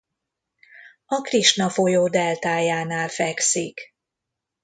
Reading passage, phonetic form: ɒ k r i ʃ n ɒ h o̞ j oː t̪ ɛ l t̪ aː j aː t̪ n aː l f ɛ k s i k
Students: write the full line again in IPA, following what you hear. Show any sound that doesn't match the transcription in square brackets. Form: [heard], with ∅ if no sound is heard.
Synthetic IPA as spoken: ɒ k r i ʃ n ɒ [f] o̞ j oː [d̪] ɛ l t̪ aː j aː [∅] n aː l f ɛ k s i k